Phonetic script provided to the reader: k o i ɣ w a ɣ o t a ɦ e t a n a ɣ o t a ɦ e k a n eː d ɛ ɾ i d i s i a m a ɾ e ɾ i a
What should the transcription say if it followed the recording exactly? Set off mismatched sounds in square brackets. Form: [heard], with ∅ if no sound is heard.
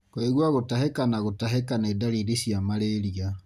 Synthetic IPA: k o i ɣ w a ɣ o t a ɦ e [k] a n a ɣ o t a ɦ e k a n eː d [a] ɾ i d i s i a m a ɾ e ɾ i a